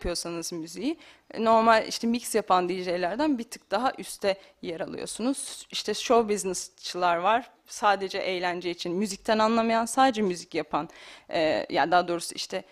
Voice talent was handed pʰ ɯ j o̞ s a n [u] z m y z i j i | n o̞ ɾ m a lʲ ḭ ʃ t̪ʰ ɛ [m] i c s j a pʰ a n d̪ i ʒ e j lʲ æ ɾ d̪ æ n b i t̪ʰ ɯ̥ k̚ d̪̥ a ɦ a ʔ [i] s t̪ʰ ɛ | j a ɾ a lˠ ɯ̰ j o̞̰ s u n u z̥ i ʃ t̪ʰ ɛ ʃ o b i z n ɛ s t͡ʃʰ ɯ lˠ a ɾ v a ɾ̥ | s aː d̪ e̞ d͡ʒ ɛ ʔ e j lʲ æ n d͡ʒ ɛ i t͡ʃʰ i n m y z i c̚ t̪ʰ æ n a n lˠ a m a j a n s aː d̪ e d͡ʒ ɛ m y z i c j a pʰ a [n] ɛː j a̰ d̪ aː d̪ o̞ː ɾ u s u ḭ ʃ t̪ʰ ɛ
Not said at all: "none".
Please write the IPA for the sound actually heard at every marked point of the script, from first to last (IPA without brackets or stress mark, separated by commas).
ɯ, m, y, n